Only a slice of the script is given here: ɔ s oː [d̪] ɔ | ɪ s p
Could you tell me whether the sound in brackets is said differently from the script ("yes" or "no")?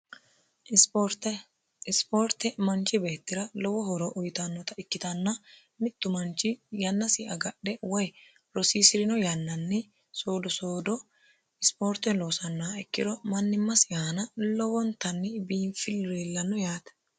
no